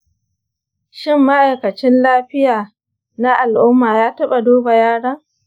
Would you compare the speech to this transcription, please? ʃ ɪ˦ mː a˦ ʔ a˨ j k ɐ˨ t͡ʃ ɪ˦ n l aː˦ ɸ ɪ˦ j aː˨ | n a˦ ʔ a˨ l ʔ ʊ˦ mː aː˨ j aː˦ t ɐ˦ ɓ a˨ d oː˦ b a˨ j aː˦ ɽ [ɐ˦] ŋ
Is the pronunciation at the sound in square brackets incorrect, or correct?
correct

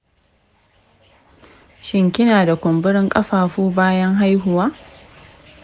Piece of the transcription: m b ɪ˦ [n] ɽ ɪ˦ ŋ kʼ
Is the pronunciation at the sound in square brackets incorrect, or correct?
incorrect: none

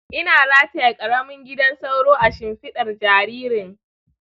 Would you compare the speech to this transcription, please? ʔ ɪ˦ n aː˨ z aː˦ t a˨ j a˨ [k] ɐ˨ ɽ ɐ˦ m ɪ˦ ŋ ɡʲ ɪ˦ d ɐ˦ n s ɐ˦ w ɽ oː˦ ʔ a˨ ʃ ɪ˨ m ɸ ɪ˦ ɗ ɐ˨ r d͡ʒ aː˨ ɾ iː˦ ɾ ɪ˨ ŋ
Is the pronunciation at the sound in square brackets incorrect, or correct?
incorrect: kʼ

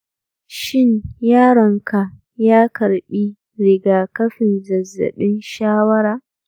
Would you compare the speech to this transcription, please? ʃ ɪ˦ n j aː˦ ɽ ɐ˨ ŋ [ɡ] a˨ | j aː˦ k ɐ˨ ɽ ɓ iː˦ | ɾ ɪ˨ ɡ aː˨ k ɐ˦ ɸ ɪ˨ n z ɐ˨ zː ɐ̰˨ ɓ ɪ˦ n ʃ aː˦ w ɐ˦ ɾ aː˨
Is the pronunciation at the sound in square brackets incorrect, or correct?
incorrect: k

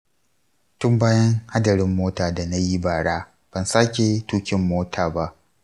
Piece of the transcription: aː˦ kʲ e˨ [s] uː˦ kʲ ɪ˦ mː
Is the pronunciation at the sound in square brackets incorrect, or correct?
incorrect: t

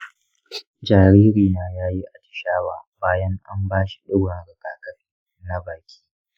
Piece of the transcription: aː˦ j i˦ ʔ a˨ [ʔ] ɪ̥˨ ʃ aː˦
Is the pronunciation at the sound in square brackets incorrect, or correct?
incorrect: t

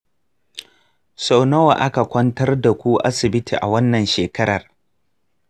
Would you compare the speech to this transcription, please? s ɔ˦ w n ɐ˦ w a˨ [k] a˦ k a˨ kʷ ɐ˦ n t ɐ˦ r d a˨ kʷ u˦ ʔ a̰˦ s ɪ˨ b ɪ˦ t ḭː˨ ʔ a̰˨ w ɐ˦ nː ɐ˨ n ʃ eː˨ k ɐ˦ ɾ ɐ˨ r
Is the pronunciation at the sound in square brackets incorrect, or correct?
incorrect: ʔ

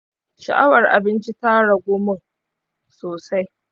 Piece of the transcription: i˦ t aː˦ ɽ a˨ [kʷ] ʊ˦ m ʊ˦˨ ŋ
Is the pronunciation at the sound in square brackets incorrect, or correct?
incorrect: ɡʷ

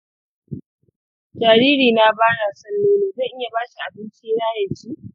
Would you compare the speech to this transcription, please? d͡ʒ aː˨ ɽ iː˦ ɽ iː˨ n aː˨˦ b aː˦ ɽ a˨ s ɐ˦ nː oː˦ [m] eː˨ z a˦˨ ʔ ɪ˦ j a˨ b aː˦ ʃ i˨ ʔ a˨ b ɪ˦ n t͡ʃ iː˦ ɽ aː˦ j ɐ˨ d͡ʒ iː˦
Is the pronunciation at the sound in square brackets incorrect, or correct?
incorrect: n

